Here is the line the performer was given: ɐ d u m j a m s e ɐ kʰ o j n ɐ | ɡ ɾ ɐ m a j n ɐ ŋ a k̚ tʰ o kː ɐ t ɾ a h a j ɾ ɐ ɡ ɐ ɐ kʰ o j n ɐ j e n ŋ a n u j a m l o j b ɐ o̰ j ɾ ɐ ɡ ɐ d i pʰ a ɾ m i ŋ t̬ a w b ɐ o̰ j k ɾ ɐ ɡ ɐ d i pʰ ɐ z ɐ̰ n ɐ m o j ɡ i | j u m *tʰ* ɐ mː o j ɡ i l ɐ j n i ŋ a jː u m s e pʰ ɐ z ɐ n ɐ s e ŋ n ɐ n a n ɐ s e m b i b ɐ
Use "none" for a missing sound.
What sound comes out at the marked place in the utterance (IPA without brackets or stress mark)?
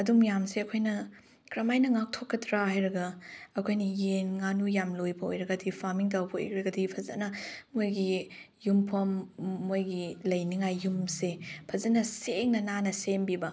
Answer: pʰ